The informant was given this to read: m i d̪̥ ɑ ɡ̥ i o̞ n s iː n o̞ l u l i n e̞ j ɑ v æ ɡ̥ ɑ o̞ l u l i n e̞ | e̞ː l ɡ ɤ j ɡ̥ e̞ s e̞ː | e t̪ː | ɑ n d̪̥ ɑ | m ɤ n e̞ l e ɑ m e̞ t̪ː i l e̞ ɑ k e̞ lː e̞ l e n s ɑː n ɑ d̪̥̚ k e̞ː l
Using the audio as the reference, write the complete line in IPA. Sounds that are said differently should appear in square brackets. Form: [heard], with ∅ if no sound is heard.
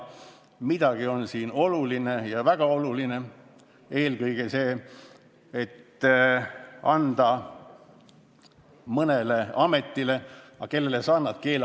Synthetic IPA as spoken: m i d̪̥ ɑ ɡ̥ i o̞ n s iː n o̞ l u l i n e̞ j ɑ v æ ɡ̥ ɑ o̞ l u l i n e̞ | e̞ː l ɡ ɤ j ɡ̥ e̞ s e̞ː | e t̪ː | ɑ n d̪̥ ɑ | m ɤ n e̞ l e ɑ m e̞ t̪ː i l e̞ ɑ k e̞ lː e̞ l e [∅] s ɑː n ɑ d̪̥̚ k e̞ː l

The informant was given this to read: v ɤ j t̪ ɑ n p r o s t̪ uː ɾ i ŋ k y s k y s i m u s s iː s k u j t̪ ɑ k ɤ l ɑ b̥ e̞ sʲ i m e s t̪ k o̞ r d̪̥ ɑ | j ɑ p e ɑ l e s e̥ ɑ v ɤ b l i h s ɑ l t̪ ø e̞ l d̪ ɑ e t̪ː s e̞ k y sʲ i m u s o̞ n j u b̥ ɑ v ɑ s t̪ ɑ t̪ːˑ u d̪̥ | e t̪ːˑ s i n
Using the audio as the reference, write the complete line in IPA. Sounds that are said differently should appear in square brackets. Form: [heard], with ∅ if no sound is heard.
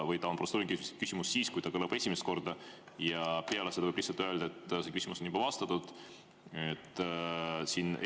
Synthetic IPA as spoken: v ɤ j t̪ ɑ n p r o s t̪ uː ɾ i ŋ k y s k y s i m u s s iː s k u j t̪ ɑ k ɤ l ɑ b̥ e̞ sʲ i m e s t̪ k o̞ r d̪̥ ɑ | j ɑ p e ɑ l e s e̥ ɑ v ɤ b l i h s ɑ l t̪ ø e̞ l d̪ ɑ e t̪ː s e̞ k y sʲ i m u s o̞ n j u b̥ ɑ v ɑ s t̪ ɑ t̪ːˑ u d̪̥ | e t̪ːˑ s i n

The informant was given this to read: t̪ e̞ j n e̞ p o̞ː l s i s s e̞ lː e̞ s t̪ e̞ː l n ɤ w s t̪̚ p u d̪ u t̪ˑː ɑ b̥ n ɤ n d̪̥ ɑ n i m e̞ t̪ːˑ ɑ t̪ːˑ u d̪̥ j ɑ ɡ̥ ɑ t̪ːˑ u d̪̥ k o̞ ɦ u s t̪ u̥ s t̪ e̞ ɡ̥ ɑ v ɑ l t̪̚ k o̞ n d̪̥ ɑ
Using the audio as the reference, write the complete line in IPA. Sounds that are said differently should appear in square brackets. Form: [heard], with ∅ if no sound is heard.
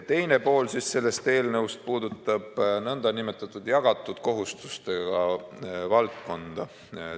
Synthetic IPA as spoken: t̪ e̞ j n e̞ p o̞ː l s i s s e̞ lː e̞ s t̪ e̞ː l n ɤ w s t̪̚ p [uː] d̪ u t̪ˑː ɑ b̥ n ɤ n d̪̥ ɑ n i m e̞ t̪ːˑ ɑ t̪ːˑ u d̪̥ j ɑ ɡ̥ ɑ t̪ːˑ u d̪̥ k o̞ ɦ u s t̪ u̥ s t̪ e̞ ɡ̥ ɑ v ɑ l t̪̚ k o̞ n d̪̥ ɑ

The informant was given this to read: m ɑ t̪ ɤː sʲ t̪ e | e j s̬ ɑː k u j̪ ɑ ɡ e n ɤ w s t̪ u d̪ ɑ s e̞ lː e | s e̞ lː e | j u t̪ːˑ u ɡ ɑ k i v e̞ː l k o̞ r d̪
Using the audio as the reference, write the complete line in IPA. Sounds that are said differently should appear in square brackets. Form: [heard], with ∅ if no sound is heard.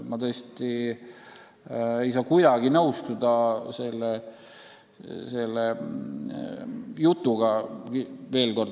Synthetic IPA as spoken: m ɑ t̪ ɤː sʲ t̪ [i] | e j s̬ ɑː k u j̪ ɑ ɡ [i] n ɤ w s t̪ u d̪ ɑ s e̞ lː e | s e̞ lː e | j u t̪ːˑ u ɡ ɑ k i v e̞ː l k o̞ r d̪

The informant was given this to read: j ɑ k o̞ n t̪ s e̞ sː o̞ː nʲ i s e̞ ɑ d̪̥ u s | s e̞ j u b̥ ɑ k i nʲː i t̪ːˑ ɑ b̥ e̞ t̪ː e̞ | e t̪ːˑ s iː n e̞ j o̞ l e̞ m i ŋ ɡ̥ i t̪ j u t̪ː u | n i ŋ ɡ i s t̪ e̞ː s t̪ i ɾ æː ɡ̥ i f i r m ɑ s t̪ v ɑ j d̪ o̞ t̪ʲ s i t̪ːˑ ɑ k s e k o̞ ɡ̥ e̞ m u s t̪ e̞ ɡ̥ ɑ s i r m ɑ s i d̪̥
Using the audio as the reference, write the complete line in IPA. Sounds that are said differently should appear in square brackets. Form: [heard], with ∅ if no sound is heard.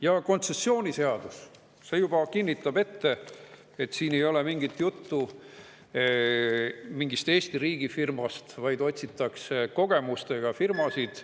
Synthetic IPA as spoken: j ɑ k o̞ n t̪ s e̞ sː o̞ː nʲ i s e̞ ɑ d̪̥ u s | s e̞ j u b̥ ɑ k i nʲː i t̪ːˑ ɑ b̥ e̞ t̪ː e̞ | e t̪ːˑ s iː n e̞ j o̞ l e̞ m i ŋ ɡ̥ i t̪ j u t̪ː u | [m] i ŋ ɡ i s t̪ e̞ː s t̪ i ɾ [iː] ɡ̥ i f i r m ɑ s t̪ v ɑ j d̪ o̞ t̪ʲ s i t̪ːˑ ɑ k s e k o̞ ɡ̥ e̞ m u s t̪ e̞ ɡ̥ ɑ [f] i r m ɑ s i d̪̥

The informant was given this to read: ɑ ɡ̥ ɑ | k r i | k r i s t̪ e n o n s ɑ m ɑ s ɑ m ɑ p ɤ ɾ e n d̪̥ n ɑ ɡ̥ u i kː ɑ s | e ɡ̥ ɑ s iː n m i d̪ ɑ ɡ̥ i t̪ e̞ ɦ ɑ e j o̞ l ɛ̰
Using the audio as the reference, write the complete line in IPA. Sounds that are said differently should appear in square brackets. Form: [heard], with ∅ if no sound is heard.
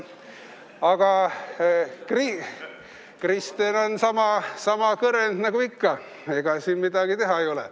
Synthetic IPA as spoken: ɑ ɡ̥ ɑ | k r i | k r i s t̪ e n o n s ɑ m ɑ s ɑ m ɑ [k] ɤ ɾ e n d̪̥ n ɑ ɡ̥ u i kː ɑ [∅] | e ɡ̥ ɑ s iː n m i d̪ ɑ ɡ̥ i t̪ e̞ ɦ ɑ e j o̞ l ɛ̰

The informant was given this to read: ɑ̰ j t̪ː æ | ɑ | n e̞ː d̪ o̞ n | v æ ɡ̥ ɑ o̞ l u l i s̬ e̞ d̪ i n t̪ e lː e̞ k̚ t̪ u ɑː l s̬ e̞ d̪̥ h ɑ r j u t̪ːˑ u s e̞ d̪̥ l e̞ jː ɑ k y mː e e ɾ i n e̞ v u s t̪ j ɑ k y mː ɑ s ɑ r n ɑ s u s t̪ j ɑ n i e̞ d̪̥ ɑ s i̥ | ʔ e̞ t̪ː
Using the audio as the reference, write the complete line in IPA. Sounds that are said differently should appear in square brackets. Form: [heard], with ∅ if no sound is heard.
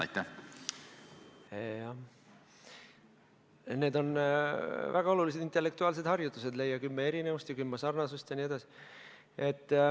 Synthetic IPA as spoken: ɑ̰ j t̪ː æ | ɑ | n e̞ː d̪ o̞ n | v æ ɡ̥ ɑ o̞ l u l i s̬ e̞ d̪ i n t̪ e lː e̞ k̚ t̪ u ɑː l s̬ e̞ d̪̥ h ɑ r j u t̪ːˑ u s e̞ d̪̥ l e̞ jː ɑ k y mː e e ɾ i n e̞ v u s t̪ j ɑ k y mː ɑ s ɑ r n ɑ s u s t̪ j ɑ n i e̞ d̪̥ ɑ s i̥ | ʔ e̞ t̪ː

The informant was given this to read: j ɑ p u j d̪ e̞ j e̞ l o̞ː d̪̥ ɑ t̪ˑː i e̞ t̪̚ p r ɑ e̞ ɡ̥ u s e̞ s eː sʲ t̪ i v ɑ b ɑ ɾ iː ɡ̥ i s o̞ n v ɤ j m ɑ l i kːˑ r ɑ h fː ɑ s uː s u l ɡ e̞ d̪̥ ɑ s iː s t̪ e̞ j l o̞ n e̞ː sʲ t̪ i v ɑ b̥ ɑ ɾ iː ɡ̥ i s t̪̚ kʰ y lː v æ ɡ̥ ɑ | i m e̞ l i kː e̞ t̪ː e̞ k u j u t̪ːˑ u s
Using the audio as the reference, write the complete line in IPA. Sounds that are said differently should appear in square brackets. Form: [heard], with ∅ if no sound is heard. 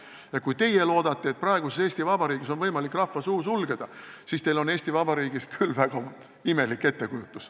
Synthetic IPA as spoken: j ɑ [k] u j [t̪] e̞ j e̞ l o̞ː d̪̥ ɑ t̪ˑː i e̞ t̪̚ p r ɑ e̞ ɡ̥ u s e̞ s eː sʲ t̪ i v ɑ b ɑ ɾ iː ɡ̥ i s o̞ n v ɤ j m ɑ l i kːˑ r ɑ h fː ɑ s uː s u l ɡ e̞ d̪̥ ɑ s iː s t̪ e̞ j l o̞ n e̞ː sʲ t̪ i v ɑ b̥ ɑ ɾ iː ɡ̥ i s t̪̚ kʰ y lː v æ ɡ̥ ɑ | i m e̞ l i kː e̞ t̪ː e̞ k u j u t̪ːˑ u s

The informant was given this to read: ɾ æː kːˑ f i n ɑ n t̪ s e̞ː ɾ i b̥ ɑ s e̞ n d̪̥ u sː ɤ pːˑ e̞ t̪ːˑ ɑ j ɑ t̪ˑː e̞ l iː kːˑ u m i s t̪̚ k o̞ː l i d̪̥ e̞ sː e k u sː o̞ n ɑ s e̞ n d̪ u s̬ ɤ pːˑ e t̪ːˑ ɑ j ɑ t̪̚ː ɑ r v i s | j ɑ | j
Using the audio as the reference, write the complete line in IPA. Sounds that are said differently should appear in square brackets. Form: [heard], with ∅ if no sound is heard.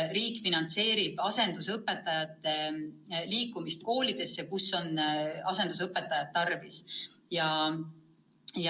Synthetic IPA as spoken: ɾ [iː] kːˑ f i n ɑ n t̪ s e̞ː ɾ i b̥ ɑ s e̞ n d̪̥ u [s] ɤ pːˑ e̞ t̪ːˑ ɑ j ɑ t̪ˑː e̞ l iː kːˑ u m i s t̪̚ k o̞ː l i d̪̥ e̞ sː e k u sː o̞ n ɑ s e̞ n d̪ u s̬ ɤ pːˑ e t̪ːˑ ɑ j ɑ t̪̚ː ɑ r v i s | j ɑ | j

